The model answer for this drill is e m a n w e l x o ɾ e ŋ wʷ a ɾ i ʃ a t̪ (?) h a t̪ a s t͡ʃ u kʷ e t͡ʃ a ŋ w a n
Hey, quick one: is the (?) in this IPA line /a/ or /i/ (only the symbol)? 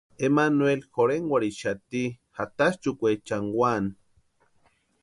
i